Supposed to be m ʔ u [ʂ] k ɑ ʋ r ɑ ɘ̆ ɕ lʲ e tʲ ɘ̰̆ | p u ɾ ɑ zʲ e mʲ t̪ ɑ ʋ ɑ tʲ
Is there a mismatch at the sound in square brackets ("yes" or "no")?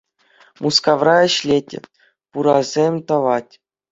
yes